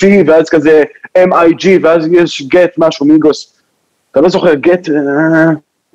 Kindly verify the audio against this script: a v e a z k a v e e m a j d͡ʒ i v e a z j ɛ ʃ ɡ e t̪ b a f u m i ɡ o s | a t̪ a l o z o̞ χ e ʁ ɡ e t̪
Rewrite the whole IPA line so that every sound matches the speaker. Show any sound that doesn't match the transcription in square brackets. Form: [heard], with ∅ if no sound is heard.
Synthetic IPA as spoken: [i] v e a z k a [z] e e m a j d͡ʒ i v e a z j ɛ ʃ ɡ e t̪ [m] a [ʃ] u m i ɡ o s | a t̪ a l o z o̞ χ e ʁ ɡ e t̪